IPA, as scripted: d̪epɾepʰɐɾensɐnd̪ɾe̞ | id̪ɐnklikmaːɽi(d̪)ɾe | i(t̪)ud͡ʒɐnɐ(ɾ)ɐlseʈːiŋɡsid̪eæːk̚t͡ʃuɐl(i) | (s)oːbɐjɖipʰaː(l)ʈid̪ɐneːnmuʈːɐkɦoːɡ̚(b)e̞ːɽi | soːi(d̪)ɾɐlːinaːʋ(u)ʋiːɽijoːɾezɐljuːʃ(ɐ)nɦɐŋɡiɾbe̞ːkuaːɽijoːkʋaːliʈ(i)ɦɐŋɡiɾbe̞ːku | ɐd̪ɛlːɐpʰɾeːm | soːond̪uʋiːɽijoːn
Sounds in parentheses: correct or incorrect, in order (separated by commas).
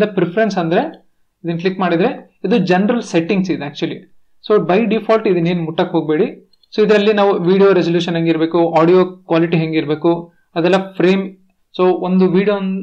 correct, incorrect, correct, correct, correct, correct, correct, correct, correct, correct, correct